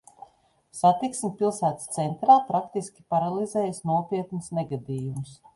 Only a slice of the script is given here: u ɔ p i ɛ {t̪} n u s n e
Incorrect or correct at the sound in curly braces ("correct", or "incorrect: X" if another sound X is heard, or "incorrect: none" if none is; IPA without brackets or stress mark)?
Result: correct